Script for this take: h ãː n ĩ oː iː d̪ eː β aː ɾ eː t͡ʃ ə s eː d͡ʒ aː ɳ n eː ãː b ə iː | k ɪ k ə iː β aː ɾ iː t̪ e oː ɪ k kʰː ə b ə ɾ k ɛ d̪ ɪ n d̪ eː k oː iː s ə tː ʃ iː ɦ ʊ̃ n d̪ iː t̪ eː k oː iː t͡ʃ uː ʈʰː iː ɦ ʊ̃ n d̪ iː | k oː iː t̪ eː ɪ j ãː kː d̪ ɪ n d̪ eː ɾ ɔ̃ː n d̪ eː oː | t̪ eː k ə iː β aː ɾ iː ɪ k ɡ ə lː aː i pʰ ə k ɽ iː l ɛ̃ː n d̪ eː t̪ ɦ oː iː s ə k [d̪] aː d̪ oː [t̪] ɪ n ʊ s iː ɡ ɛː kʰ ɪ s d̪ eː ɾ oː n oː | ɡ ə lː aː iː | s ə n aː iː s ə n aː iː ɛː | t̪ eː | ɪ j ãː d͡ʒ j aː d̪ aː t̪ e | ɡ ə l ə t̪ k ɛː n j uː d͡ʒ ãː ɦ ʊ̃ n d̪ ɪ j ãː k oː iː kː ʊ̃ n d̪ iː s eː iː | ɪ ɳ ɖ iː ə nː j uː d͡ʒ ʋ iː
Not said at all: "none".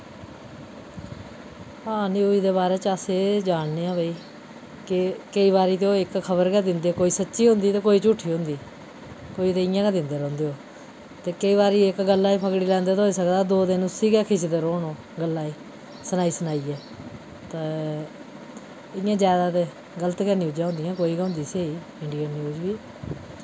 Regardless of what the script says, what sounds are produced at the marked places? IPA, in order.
d̪, d̪

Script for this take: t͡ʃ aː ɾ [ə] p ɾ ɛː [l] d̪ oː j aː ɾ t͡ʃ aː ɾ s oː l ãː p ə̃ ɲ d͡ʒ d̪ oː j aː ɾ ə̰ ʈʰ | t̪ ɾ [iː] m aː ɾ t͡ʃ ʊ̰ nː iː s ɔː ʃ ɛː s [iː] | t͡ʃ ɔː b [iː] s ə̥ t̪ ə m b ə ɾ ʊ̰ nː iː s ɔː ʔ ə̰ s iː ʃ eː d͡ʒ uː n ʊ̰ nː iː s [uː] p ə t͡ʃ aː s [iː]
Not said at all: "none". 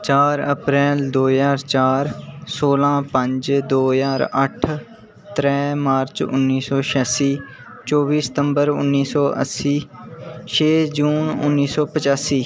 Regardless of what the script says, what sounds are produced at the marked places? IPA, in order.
ə, l, ɛː, iː, iː, ɔː, iː

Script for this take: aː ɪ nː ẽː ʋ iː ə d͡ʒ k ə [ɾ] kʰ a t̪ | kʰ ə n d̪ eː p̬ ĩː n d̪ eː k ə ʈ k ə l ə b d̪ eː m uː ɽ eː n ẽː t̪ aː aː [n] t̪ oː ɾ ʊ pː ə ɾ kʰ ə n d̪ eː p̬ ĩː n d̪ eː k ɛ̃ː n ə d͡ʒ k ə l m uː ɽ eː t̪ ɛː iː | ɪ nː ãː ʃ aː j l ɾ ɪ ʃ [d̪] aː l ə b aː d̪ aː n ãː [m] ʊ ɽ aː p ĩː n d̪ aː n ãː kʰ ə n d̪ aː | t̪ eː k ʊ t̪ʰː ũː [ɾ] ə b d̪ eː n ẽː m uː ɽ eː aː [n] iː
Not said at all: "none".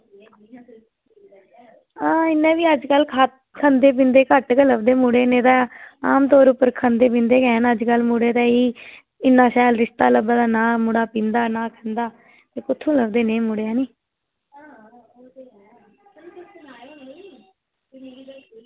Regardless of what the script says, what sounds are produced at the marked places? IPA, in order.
l, m, t̪, m, l, n

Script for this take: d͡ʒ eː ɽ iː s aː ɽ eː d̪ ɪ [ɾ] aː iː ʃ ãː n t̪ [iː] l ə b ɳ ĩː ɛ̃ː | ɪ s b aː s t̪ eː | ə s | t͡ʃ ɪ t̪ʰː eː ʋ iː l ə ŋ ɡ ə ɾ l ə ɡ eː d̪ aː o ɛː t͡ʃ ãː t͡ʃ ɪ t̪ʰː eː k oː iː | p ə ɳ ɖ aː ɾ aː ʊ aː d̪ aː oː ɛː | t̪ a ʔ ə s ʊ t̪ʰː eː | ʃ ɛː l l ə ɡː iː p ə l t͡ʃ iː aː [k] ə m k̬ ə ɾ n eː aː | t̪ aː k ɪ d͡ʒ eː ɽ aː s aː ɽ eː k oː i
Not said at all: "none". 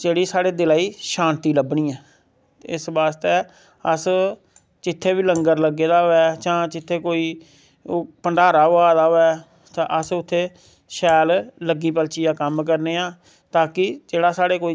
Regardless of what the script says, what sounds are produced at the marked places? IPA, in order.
l, iː, k

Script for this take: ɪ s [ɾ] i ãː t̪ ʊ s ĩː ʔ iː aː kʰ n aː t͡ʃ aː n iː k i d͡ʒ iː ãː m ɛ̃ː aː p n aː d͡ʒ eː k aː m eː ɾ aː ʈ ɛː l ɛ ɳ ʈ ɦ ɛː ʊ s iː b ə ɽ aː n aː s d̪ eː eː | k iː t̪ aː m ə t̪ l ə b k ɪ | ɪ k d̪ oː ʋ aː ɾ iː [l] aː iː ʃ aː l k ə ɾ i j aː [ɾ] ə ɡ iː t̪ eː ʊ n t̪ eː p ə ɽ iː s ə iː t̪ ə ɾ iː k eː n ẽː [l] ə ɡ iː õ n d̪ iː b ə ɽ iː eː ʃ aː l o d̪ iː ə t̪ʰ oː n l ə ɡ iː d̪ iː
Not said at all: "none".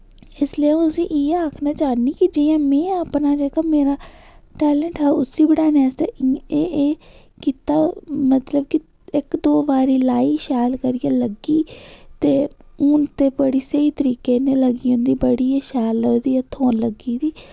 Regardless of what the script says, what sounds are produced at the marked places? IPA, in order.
l, l, l, l

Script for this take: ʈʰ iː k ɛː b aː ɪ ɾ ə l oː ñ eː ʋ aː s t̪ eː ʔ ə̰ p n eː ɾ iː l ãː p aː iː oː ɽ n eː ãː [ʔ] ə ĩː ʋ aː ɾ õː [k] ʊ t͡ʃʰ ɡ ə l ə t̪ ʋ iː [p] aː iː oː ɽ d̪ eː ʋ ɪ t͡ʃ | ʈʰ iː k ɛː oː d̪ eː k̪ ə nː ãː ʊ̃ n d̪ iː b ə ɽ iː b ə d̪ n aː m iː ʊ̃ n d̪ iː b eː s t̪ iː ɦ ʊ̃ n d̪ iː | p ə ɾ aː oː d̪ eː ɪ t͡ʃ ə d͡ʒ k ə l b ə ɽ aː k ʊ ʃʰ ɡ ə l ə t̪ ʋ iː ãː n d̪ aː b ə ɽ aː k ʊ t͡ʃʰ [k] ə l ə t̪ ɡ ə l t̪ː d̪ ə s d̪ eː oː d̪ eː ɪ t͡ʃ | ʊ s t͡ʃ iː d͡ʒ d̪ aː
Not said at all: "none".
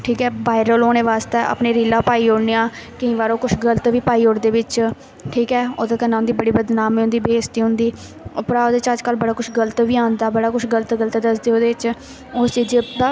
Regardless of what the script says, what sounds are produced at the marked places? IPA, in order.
k, k, p, ɡ

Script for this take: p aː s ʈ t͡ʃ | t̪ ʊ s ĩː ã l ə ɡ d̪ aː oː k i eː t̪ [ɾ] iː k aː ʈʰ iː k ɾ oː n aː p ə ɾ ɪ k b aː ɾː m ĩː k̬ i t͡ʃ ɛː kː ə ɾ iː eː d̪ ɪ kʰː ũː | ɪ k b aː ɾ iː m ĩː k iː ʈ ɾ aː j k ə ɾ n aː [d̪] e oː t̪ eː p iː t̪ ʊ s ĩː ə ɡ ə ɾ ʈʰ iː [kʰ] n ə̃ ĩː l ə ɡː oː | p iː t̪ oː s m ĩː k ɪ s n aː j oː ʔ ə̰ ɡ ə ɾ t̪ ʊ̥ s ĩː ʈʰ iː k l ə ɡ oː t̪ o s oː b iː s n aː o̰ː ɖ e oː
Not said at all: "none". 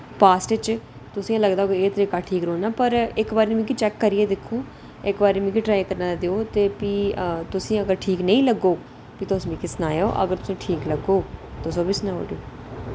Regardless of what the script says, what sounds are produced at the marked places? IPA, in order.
ɾ, d̪, k

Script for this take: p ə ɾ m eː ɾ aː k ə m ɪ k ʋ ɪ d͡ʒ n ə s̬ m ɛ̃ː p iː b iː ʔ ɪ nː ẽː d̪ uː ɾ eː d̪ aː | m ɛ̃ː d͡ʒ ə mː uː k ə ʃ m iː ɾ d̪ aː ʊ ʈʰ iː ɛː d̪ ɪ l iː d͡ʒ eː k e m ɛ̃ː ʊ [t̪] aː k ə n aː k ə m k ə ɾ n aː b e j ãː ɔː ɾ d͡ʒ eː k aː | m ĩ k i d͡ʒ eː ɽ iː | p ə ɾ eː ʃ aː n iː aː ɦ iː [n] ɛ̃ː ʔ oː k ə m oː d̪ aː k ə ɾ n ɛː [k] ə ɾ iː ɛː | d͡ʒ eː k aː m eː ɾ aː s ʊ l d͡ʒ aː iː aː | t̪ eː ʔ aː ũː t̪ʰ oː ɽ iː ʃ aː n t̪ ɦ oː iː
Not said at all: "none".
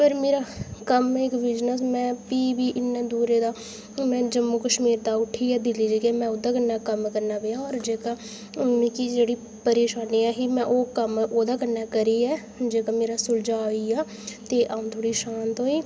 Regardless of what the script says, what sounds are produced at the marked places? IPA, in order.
d̪, m, k

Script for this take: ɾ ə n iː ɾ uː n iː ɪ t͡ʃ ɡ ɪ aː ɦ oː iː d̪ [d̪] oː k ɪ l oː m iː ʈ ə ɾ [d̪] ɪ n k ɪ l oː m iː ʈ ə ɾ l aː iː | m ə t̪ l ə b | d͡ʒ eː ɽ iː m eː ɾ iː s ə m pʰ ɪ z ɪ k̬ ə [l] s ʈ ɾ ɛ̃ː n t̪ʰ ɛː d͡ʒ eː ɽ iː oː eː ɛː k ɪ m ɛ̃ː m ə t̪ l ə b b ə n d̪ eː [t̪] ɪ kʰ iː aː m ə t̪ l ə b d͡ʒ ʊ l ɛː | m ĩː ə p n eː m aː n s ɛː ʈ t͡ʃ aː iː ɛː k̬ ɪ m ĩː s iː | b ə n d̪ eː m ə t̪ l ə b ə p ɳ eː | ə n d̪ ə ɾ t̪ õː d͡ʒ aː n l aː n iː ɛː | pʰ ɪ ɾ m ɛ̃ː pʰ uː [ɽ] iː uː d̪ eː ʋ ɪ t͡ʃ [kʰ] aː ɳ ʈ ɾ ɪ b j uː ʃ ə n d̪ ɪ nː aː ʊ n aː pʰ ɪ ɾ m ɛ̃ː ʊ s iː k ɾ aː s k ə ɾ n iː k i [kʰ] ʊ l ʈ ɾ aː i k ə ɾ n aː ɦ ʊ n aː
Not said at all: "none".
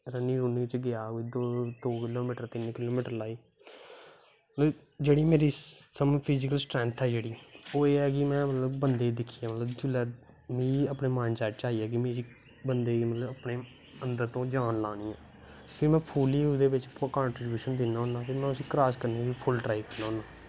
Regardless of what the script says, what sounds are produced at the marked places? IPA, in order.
d̪, t̪, l, d̪, l, k, pʰ

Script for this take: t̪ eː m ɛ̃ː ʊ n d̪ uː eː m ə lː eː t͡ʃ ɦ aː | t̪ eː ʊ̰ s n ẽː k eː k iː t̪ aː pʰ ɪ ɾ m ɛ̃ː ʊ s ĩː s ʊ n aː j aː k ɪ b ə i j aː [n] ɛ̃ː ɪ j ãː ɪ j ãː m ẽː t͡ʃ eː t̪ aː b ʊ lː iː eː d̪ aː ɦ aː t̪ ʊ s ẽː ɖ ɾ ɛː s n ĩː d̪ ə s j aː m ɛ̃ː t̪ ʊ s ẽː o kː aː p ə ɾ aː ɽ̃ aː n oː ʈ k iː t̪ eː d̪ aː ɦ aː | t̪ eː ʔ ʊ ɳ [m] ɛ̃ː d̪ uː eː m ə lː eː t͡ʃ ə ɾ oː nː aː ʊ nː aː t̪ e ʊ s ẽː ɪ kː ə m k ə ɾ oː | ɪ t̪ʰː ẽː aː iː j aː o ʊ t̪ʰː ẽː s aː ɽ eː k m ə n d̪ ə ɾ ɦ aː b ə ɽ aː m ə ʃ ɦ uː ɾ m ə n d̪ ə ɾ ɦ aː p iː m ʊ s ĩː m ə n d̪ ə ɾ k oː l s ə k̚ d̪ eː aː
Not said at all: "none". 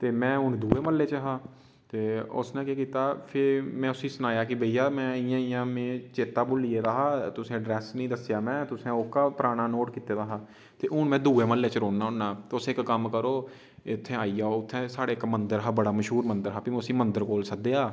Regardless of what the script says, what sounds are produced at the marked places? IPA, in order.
m, m

